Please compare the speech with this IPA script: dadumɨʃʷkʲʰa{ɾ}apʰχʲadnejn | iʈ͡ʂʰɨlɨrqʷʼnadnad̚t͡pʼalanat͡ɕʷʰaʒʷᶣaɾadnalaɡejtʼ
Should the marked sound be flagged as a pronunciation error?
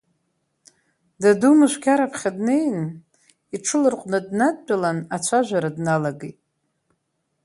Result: no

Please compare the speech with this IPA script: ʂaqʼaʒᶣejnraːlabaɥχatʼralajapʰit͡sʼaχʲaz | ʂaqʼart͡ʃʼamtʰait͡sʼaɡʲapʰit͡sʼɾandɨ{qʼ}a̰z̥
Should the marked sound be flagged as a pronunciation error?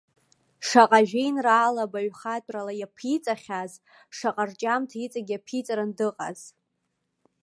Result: no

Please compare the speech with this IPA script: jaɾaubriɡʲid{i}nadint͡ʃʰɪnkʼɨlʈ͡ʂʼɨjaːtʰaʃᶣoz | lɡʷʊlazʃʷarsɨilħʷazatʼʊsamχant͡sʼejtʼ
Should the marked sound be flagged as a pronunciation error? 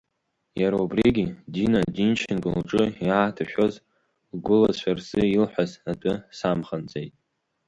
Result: no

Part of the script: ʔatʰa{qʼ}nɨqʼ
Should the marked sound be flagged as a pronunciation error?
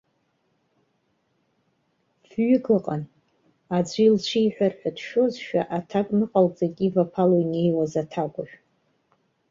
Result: yes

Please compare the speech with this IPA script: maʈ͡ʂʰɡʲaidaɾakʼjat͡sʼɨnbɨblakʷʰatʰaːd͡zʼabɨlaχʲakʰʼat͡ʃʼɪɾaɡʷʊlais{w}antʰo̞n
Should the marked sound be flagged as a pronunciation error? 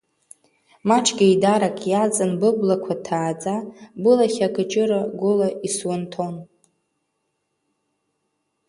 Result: no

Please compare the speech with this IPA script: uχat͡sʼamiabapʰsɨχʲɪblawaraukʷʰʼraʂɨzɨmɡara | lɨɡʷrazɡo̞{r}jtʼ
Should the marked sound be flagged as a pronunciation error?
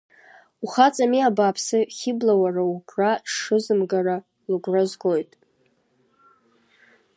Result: yes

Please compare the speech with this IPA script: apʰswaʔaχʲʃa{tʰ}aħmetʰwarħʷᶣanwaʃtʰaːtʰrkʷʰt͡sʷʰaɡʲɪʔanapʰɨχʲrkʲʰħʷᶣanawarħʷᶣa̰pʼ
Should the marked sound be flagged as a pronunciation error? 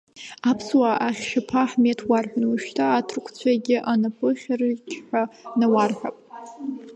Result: yes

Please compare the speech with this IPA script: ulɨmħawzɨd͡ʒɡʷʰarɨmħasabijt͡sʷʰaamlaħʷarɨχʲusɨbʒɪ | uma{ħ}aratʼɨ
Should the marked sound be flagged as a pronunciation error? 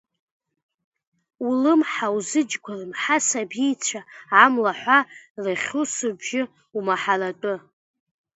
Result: no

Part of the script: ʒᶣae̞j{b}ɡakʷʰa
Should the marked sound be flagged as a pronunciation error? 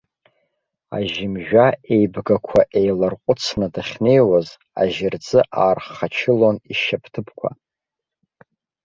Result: no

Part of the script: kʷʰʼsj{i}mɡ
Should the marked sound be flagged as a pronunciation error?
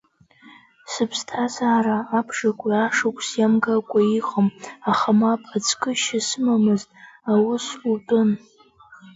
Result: yes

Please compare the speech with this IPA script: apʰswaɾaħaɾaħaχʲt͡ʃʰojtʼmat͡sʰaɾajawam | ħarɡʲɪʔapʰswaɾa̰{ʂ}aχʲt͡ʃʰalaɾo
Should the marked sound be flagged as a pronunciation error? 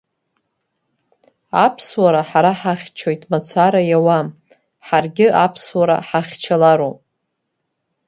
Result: yes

